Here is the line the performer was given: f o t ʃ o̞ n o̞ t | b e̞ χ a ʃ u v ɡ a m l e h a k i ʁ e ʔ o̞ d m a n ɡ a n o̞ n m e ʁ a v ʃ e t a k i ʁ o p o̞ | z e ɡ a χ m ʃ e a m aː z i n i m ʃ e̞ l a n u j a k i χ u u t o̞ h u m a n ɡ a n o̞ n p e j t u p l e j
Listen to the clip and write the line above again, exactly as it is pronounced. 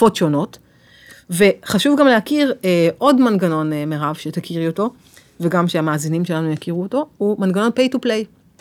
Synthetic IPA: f o t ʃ o̞ n o̞ t | v e̞ χ a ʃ u v ɡ a m l e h a k i ʁ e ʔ o̞ d m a n ɡ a n o̞ n m e ʁ a v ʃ e t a k i ʁ o t o̞ | v e ɡ a m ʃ e a m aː z i n i m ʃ e̞ l a n u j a k i ʁ u o t o̞ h u m a n ɡ a n o̞ n p e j t u p l e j